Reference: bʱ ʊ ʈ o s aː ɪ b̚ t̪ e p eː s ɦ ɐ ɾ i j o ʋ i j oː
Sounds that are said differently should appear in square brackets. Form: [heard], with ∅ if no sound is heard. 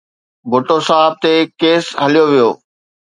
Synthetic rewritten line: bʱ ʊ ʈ o s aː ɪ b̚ t̪ e [k] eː s ɦ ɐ [l] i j o ʋ i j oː